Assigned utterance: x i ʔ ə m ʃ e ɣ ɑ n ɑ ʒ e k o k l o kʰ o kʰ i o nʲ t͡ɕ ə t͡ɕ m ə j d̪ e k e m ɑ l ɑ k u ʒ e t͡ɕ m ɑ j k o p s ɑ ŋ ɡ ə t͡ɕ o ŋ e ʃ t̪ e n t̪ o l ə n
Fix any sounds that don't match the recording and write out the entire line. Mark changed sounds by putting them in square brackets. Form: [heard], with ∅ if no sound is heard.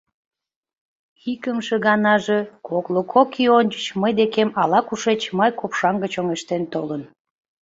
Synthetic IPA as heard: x i [k] ə m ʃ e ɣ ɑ n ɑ ʒ e k o k l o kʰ o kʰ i o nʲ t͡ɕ ə t͡ɕ m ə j d̪ e k e m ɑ l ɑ k u [ʃ] e t͡ɕ m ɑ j k o p [ʃ] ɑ ŋ ɡ ə t͡ɕ o ŋ e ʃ t̪ e n t̪ o l ə n